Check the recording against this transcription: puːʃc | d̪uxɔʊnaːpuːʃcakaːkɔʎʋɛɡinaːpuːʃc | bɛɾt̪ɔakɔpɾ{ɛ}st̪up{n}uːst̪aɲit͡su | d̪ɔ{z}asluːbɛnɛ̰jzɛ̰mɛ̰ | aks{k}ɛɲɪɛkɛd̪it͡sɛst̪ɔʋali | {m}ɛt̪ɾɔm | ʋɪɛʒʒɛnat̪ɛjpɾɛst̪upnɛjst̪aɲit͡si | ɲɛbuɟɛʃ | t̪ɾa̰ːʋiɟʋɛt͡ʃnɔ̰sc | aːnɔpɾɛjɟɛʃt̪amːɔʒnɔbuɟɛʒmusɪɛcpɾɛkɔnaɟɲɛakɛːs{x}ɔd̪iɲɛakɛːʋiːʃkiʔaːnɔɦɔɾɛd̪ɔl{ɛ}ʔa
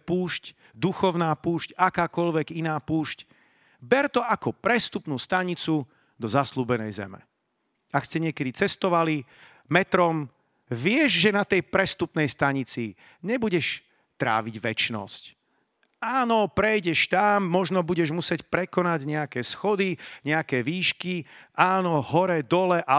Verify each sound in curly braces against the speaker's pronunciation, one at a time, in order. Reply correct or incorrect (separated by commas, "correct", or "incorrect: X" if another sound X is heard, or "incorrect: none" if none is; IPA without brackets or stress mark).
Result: correct, correct, correct, incorrect: c, correct, correct, correct